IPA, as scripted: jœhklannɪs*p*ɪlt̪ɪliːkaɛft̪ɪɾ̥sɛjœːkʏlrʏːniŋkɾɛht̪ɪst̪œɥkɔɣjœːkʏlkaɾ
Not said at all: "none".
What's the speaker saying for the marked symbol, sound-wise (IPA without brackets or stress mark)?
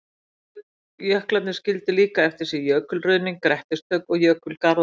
c